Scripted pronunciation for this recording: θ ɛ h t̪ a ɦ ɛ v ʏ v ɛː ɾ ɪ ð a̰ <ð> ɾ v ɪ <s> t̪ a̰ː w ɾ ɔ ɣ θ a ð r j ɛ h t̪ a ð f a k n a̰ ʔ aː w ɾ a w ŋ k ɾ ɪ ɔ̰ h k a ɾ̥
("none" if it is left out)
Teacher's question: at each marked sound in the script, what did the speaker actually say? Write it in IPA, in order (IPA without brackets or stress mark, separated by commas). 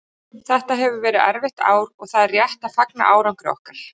none, h